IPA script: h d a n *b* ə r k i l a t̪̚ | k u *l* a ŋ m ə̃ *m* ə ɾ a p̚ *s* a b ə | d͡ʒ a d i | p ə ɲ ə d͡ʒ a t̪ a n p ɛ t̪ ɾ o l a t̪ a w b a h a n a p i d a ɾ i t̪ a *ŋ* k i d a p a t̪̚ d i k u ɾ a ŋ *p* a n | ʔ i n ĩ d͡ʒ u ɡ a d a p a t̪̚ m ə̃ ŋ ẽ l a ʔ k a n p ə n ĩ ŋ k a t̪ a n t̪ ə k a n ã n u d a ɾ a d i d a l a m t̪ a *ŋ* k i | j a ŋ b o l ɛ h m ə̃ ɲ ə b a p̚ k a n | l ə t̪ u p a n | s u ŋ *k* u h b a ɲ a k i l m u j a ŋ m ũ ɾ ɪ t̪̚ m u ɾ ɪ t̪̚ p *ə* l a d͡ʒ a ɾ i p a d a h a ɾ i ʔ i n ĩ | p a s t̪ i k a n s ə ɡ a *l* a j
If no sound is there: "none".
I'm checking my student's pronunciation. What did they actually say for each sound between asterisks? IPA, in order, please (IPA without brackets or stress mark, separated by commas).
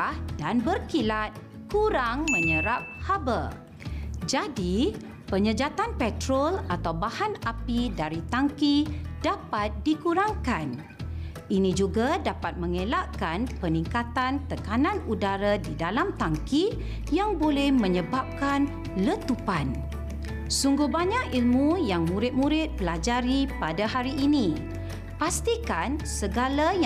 b, ɾ, ɲ, h, ŋ, k, ŋ, ɡ, ə, l